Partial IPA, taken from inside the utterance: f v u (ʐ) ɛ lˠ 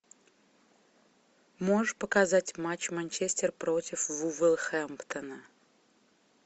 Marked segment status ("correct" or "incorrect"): incorrect